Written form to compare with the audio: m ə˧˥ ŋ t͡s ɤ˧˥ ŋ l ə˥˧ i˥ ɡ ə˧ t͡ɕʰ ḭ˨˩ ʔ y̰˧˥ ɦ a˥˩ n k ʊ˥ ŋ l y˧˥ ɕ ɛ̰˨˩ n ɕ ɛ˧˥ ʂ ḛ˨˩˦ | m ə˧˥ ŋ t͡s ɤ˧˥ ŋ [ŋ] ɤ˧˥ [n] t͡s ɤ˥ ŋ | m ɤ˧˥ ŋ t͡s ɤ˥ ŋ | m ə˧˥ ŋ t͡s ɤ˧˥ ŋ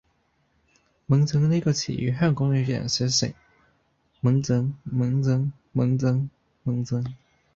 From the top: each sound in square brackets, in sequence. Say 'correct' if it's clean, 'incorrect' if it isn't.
incorrect: m, incorrect: ŋ

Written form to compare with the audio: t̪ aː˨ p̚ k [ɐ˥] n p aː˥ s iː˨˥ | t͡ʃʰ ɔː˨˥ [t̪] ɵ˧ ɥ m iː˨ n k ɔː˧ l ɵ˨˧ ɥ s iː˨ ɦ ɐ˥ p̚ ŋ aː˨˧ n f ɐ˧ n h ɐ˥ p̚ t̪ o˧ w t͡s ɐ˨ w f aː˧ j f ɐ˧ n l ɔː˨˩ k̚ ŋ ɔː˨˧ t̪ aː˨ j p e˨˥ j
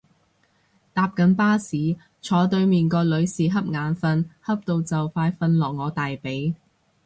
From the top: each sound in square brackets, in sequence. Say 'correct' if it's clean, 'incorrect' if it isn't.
incorrect: ɐ˨˥, correct

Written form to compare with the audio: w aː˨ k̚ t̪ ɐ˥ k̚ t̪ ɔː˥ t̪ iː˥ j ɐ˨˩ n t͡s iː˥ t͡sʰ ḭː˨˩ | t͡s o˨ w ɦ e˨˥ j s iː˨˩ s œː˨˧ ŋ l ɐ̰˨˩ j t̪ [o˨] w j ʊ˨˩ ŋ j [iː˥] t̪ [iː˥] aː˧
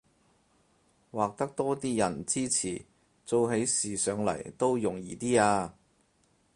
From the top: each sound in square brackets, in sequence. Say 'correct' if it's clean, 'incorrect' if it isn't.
incorrect: o˥, incorrect: iː˨, correct

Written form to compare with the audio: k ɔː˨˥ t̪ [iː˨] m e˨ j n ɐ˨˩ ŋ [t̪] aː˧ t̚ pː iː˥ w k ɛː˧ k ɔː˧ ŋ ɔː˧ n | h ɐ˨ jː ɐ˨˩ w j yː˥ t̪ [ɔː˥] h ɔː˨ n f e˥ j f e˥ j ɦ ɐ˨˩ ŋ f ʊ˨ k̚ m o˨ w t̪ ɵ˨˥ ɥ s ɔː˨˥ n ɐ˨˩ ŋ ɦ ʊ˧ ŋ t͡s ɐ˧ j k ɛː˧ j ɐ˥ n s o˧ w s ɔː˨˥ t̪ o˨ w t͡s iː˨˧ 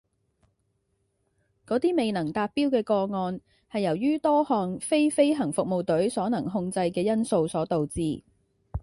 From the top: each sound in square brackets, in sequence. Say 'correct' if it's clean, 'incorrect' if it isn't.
incorrect: iː˥, correct, correct

